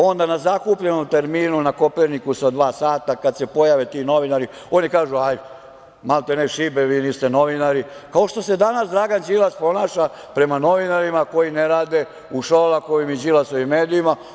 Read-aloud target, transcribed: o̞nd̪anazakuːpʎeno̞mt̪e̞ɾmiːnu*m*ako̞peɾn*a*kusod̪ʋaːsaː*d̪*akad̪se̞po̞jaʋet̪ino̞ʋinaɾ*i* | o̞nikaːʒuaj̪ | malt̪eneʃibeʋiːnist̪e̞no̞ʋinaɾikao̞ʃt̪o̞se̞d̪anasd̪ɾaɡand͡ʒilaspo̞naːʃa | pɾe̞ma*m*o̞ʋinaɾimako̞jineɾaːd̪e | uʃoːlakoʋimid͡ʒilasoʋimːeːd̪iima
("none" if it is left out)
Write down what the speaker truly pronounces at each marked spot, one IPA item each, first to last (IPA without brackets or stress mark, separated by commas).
n, i, t̪, i, n